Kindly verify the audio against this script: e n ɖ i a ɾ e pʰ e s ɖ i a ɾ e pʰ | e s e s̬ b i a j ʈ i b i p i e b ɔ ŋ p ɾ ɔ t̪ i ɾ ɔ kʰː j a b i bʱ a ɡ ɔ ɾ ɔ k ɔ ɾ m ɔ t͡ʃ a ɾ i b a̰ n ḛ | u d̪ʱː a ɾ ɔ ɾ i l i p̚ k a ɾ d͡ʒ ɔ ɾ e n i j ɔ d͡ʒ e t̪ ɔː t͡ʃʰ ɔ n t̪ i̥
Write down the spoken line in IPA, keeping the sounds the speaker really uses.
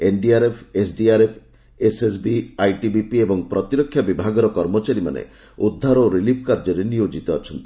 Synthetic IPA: e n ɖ i a ɾ e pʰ e s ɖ i a ɾ e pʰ | e s e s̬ b i a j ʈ i b i p i e b ɔ ŋ p ɾ ɔ t̪ i ɾ ɔ kʰː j a b i bʱ a ɡ ɔ ɾ ɔ k ɔ ɾ m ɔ t͡ʃ a ɾ i m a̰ n ḛ | u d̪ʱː a ɾ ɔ ɾ i l i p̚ k a ɾ d͡ʒ ɔ ɾ e n i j o d͡ʒ i t̪ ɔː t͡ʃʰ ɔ n t̪ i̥